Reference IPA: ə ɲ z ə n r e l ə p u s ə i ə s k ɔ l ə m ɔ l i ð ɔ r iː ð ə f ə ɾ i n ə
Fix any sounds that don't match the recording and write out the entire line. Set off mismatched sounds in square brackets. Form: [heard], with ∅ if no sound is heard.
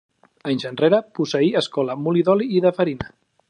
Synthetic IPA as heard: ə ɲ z ə n r e [ɾ] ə p u s ə i ə s k ɔ l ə m [u] l i ð ɔ [l] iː ð ə f ə ɾ i n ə

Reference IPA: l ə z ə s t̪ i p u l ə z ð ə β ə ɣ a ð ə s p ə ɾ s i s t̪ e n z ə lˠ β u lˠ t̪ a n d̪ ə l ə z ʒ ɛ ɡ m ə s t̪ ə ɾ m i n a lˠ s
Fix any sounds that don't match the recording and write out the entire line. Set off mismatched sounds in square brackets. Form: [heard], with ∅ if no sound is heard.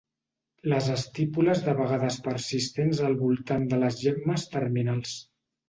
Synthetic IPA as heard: l ə z ə s t̪ i p u l ə z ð ə β ə ɣ a ð ə s p ə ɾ s i s t̪ e n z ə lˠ β u lˠ t̪ a n d̪ ə l ə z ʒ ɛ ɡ m ə s t̪ ə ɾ m i n a lˠ s

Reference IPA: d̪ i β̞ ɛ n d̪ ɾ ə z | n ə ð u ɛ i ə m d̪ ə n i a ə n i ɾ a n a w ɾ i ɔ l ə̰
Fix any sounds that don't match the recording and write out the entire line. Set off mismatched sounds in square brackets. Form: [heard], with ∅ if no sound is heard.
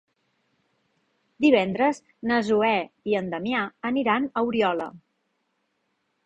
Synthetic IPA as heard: d̪ i β̞ ɛ n d̪ ɾ ə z | n ə [z] u ɛ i ə [n] d̪ ə [m] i a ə n i ɾ a n [ə] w ɾ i ɔ l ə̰

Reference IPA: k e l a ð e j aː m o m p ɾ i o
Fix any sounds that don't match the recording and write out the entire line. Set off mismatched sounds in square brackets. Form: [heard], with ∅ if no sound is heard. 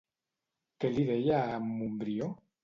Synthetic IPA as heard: k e l [i] ð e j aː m [u] m [b] ɾ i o

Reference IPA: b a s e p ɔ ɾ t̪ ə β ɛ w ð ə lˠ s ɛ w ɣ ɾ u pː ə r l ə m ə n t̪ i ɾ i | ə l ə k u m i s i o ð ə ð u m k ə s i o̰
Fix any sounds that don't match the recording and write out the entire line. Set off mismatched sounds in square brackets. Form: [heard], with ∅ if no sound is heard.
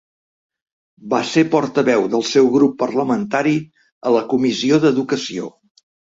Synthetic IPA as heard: b a s e p ɔ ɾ t̪ ə β ɛ w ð ə lˠ s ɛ w ɣ ɾ u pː ə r l ə m ə n t̪ [a] ɾ i | ə l ə k u m i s i o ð ə ð u [∅] k ə s i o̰

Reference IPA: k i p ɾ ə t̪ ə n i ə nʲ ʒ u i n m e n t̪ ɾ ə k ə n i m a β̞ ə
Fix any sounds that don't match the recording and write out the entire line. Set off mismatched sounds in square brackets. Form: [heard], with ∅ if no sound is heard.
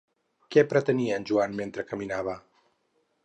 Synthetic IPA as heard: k [ɛ] p ɾ ə t̪ ə n i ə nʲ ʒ u [a] n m e n t̪ ɾ ə k ə [m] i [n] a β̞ ə

